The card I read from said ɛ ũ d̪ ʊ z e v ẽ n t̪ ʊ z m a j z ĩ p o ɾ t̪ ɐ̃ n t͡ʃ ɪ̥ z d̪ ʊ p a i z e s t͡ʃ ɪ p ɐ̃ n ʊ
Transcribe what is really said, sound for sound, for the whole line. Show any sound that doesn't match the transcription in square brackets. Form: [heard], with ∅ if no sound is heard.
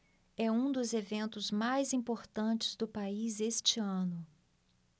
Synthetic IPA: ɛ ũ d̪ ʊ z e v ẽ n t̪ ʊ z m a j z ĩ p o ɾ t̪ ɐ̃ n t͡ʃ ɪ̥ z d̪ ʊ p a i z e s t͡ʃ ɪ [∅] ɐ̃ n ʊ